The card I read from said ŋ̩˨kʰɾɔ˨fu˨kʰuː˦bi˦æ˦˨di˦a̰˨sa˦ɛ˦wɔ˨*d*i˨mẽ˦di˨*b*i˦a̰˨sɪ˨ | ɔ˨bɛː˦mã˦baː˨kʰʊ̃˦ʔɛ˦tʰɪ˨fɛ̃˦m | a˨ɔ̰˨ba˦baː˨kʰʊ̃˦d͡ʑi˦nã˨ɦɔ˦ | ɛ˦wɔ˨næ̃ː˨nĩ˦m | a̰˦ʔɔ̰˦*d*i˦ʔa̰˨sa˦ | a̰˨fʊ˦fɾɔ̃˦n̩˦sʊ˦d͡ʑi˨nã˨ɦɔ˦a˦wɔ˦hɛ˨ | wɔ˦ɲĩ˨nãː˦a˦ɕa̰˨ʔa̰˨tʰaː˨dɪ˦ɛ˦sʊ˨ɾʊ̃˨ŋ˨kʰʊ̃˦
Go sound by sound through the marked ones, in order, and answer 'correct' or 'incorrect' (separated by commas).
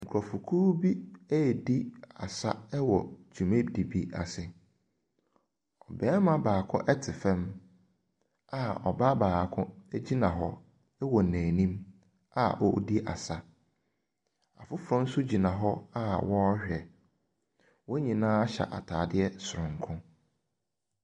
incorrect, correct, correct